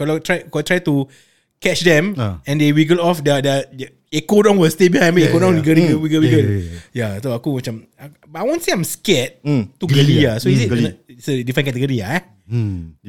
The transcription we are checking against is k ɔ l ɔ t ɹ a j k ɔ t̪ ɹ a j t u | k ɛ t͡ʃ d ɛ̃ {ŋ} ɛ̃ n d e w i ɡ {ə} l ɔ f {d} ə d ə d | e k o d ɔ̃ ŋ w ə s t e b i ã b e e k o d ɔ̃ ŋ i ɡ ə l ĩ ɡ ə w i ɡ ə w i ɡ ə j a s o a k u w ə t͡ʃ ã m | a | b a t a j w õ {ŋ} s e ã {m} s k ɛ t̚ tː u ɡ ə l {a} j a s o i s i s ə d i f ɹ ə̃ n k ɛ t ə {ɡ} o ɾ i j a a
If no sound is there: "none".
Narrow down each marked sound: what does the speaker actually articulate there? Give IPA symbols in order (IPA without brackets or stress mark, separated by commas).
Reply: m, ə, d, n, m, i, ɡ